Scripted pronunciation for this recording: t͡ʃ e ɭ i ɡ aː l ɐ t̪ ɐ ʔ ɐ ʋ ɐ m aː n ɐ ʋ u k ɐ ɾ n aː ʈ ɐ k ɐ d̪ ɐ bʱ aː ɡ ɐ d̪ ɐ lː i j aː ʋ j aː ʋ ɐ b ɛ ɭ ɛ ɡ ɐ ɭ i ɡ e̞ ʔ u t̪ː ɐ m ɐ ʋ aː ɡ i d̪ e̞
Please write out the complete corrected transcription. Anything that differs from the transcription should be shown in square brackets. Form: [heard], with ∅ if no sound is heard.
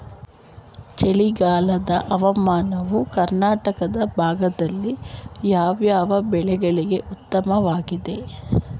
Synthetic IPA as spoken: t͡ʃ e ɭ i ɡ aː l ɐ [d̪] ɐ ʔ ɐ ʋ ɐ m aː n ɐ ʋ u k ɐ ɾ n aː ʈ ɐ k ɐ d̪ ɐ bʱ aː ɡ ɐ d̪ ɐ lː i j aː ʋ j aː ʋ ɐ b ɛ ɭ ɛ ɡ ɐ ɭ i ɡ e̞ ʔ u t̪ː ɐ m ɐ ʋ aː ɡ i d̪ e̞